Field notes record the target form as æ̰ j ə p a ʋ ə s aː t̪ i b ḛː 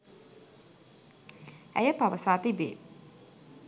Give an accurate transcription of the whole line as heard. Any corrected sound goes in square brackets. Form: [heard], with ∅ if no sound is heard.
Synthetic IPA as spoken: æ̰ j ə p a ʋ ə s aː t̪ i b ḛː